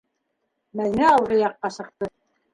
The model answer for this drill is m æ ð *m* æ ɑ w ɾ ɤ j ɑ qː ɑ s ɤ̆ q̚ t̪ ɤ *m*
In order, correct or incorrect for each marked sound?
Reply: incorrect, incorrect

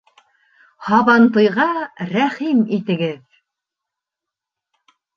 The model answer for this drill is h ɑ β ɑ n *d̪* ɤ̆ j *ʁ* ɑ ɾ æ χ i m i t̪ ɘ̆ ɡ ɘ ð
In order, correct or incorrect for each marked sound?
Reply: incorrect, correct

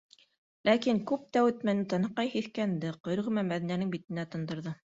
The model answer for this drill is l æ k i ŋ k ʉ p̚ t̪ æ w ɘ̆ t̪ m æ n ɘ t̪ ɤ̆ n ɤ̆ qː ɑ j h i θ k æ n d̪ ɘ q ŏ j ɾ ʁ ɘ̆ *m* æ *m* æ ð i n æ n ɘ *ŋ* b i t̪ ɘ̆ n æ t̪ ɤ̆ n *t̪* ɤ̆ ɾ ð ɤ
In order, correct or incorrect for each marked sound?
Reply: correct, correct, correct, incorrect

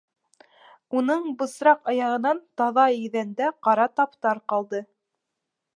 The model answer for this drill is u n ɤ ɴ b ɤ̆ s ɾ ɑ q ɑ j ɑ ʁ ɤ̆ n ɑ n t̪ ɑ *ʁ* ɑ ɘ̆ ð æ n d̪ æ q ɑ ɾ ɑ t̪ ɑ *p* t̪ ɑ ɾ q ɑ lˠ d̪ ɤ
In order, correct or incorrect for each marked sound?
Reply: incorrect, correct

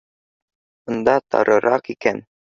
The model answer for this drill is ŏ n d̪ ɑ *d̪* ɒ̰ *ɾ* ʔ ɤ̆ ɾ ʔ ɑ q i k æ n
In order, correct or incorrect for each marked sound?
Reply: incorrect, correct

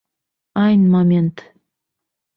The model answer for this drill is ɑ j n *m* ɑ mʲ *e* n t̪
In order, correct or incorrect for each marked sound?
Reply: correct, correct

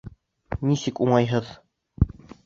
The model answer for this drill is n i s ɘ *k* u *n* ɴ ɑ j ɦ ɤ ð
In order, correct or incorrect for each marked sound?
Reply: correct, incorrect

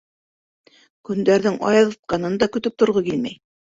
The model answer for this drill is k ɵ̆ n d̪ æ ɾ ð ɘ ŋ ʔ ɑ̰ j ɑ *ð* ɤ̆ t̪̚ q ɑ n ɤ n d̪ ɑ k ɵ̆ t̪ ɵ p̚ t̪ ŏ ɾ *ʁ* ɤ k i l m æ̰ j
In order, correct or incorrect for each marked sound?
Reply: correct, correct

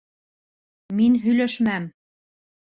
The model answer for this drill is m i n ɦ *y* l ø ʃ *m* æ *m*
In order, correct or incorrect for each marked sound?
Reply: correct, correct, correct

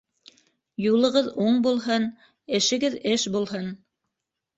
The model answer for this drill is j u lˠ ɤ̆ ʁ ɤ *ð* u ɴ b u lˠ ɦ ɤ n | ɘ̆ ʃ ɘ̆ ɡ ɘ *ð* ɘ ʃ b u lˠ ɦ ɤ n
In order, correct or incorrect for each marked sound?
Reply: correct, correct

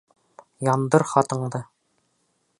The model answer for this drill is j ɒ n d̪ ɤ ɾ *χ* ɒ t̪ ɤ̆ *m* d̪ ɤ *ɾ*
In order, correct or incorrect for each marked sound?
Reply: correct, incorrect, incorrect

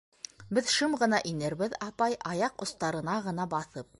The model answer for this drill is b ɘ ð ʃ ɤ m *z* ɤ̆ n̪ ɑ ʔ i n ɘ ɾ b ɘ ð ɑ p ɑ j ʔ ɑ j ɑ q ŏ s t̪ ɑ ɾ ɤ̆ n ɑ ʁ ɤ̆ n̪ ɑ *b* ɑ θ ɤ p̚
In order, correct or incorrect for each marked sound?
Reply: incorrect, correct

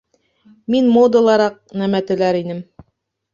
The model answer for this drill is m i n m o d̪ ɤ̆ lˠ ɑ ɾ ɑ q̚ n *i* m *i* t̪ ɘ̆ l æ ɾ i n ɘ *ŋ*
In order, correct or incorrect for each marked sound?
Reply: incorrect, incorrect, incorrect

